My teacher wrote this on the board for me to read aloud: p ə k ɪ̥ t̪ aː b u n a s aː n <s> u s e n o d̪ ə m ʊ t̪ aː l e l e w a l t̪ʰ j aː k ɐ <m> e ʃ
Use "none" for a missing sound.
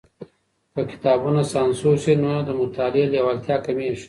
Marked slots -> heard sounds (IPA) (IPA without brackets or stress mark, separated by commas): s, m